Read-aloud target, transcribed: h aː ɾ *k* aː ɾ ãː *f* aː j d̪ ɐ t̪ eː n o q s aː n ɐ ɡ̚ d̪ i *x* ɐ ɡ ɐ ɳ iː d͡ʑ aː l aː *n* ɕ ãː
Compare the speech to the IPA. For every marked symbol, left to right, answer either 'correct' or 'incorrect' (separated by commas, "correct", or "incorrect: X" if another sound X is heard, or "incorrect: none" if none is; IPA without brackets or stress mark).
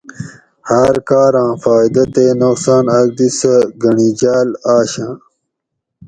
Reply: correct, correct, incorrect: s, incorrect: none